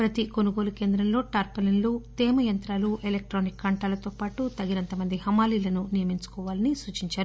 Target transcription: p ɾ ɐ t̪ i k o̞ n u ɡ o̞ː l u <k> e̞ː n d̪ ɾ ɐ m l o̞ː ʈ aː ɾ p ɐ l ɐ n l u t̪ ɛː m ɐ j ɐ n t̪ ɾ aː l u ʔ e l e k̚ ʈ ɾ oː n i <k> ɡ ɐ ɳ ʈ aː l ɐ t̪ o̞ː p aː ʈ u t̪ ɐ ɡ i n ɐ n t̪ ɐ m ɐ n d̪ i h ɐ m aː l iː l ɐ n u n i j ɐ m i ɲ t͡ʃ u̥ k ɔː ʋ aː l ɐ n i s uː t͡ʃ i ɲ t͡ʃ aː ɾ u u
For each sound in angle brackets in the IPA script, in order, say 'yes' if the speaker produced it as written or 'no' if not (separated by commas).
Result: yes, yes